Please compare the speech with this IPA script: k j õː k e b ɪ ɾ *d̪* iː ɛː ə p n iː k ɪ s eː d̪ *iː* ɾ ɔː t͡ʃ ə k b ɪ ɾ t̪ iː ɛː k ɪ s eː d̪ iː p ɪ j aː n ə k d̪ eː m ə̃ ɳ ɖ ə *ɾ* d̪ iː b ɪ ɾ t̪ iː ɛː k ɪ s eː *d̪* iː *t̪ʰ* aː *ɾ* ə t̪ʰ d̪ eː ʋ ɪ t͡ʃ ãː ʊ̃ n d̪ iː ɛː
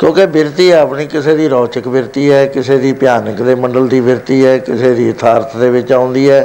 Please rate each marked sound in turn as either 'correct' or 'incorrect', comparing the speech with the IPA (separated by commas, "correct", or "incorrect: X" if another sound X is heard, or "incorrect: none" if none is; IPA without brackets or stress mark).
incorrect: t̪, correct, incorrect: l, correct, correct, correct